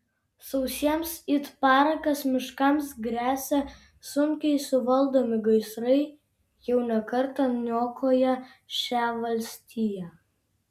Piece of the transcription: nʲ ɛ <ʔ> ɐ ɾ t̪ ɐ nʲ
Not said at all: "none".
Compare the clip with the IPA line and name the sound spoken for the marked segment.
k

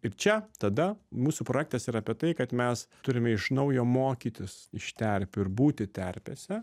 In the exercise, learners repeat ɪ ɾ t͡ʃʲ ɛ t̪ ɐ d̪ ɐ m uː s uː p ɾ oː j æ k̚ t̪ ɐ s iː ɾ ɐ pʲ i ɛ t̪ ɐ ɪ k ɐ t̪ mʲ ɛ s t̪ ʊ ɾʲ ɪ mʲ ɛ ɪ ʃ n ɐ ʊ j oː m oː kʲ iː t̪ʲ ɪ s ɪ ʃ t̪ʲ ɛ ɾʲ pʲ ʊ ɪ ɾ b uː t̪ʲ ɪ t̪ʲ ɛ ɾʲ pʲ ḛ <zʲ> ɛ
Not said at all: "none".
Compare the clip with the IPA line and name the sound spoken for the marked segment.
sʲ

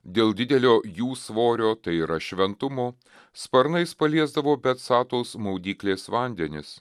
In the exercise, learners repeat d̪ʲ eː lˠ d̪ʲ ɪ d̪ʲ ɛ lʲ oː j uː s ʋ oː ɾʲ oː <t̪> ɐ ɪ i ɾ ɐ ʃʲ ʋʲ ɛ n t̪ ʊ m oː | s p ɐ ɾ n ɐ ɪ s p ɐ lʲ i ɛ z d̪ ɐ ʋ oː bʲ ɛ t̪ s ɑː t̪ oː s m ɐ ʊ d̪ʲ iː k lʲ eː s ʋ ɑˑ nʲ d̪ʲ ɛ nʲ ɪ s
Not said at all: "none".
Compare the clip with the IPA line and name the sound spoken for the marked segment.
t̪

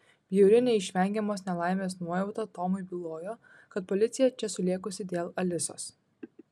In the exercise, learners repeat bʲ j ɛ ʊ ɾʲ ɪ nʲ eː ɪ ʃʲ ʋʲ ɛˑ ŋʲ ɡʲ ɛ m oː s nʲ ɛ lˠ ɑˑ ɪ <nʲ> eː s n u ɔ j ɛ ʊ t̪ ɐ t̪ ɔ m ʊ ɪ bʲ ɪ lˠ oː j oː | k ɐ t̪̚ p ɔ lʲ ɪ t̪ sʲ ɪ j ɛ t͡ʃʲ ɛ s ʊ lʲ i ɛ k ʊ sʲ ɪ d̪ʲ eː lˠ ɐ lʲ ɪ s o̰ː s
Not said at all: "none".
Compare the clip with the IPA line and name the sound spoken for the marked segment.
mʲ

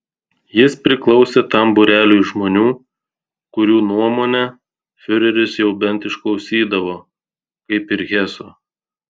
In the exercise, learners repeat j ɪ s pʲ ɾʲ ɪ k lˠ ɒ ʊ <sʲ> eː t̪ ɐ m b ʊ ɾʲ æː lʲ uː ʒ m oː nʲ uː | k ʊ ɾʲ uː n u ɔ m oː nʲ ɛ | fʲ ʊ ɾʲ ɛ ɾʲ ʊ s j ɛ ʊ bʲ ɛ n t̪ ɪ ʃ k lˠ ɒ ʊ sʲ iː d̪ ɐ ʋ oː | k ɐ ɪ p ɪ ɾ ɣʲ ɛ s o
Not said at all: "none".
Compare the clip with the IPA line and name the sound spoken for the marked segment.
sʲ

